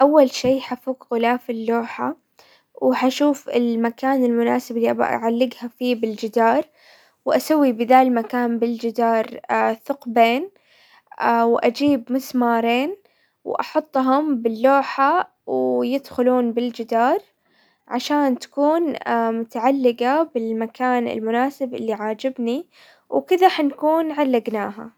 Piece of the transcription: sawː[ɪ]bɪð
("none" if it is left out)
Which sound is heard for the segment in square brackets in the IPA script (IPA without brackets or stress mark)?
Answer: i